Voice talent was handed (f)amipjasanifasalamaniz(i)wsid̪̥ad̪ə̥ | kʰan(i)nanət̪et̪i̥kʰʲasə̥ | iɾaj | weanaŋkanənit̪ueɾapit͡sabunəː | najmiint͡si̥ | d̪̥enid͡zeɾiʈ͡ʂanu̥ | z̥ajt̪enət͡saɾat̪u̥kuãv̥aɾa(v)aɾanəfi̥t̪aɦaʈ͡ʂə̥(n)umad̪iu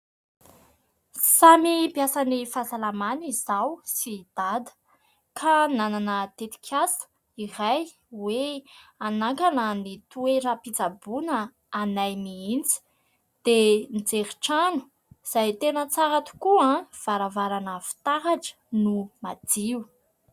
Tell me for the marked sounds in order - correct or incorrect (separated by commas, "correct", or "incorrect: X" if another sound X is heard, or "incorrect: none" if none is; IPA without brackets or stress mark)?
incorrect: s, incorrect: a, incorrect: a, correct, correct